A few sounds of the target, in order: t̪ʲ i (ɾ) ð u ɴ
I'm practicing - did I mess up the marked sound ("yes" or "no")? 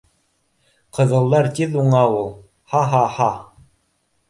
yes